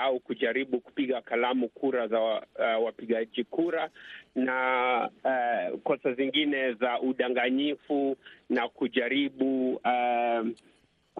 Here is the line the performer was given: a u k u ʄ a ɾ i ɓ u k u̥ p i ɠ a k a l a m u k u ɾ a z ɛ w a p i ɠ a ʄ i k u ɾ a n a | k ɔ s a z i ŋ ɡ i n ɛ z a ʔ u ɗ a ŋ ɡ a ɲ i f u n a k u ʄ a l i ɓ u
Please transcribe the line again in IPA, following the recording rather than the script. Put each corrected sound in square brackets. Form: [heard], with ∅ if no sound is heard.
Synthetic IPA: a u k u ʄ a ɾ i ɓ u k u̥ p i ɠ a k a l a m u k u ɾ a z [a] w a p i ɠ a ʄ i k u ɾ a n a | k ɔ s a z i ŋ ɡ i n ɛ z a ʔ u ɗ a ŋ ɡ a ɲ i f u n a k u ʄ a [ɾ] i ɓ u